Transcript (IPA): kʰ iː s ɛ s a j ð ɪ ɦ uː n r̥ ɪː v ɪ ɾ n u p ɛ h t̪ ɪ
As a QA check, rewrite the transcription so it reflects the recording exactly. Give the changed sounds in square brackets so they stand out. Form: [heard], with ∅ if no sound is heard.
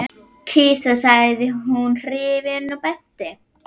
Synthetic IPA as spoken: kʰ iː s [a] s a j ð ɪ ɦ [u] n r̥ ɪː v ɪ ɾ n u p ɛ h t̪ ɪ